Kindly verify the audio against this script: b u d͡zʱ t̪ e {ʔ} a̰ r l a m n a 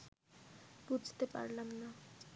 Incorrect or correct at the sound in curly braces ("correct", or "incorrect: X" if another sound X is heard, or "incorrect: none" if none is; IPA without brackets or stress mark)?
incorrect: p